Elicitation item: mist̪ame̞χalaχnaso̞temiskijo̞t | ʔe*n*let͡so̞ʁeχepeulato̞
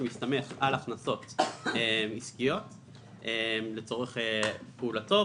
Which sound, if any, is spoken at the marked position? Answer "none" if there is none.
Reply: m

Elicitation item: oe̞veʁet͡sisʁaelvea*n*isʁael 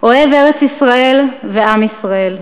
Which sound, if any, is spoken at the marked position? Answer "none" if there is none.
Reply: m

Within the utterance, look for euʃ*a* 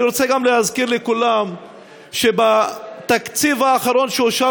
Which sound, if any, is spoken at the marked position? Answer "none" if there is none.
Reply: a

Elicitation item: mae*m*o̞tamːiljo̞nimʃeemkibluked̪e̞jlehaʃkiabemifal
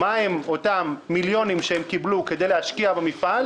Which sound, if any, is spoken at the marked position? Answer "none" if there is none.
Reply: m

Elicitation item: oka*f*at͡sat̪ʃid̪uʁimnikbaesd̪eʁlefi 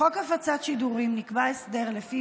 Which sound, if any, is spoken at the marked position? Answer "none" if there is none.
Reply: f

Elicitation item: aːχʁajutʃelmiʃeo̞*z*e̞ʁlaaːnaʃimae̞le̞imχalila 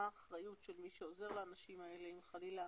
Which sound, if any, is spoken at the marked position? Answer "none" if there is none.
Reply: z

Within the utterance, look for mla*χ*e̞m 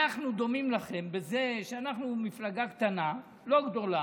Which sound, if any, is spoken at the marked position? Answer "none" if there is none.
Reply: χ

